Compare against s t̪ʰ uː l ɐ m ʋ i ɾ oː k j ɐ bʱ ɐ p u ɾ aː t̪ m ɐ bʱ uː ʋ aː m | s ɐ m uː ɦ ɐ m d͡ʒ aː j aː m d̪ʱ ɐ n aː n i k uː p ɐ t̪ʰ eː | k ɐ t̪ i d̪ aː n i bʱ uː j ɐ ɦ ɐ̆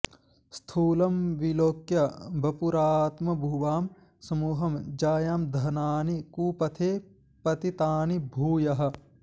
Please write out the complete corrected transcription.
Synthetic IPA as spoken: s t̪ʰ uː l ɐ m ʋ i l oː k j ɐ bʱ ɐ p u ɾ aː t̪ m ɐ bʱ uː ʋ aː m | s ɐ m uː ɦ ɐ m d͡ʒ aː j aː m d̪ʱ ɐ n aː n i k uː p ɐ t̪ʰ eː | p ɐ t̪ i t̪ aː n i bʱ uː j ɐ ɦ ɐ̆